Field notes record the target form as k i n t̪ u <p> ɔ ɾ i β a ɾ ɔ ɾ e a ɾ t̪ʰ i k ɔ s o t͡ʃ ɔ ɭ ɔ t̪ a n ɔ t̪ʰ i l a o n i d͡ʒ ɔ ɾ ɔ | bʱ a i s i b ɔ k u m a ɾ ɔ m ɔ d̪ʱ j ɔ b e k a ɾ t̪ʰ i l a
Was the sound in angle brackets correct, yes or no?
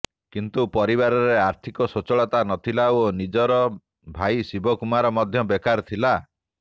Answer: yes